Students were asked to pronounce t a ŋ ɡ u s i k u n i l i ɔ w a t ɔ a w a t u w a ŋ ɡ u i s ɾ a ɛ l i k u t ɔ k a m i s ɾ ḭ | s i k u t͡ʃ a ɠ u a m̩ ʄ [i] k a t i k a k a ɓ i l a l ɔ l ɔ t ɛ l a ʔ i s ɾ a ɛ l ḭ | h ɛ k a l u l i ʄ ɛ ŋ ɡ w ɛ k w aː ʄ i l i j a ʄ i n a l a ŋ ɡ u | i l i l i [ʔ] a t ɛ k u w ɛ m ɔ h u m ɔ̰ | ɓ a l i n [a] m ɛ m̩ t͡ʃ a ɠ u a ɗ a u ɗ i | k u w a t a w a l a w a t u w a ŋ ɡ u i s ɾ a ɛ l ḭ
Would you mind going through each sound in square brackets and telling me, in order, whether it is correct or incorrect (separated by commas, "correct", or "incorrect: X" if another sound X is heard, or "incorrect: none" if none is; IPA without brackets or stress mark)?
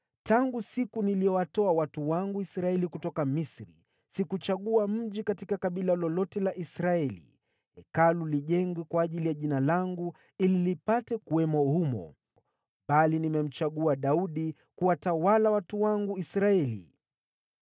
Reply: correct, incorrect: p, incorrect: i